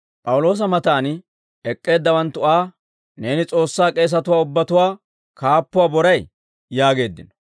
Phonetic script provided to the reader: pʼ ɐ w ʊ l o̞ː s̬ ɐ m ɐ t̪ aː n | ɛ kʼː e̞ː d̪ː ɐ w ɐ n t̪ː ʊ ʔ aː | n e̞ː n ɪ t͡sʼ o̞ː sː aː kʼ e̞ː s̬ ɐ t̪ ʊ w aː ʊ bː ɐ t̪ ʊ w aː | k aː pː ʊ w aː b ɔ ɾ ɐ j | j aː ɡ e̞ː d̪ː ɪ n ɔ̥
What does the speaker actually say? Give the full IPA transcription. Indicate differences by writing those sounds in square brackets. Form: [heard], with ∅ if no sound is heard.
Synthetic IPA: pʼ ɐ w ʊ l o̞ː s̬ ɐ m ɐ t̪ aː n | ɛ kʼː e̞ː d̪ː ɐ w ɐ n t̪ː ʊ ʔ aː | n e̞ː n ɪ t͡sʼ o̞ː sː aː kʼ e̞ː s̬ ɐ t̪ ʊ w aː ʊ bː ɐ t̪ ʊ w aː | k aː pː ʊ w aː b ɔ ɾ ɐ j | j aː ɡ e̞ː d̪ː ɪ n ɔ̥